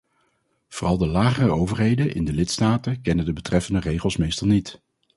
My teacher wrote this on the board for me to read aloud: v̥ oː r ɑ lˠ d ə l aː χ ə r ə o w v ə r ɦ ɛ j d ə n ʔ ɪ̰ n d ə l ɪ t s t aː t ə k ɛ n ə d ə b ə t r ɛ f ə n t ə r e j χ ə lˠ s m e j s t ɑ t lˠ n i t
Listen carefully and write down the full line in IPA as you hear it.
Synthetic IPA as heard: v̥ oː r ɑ lˠ d ə l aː χ ə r ə o w v ə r ɦ e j d ə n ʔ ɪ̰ n d ə l ɪ t s t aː t ə k ɛ n ə d ə b ə t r ɛ f ə n d ə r e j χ ə lˠ s m e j s t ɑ lˠ n i t